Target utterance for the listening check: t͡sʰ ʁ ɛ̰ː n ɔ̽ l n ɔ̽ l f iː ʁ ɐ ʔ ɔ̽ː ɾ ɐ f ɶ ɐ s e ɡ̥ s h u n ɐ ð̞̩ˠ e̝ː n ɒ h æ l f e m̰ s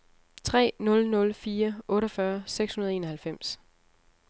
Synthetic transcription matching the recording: t͡sʰ ʁ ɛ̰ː n ɔ̽ l n ɔ̽ l f iː ɐ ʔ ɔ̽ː ɾ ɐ f ɶ ɐ s e ɡ̥ s h u n ɐ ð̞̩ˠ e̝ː n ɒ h æ l f e m̰ s